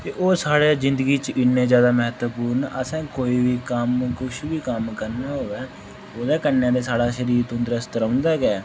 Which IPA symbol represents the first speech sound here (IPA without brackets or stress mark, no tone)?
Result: t̪